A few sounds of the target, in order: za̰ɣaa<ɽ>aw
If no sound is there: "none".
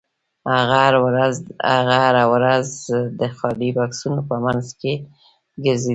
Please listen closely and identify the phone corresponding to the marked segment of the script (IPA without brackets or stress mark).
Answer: ɾ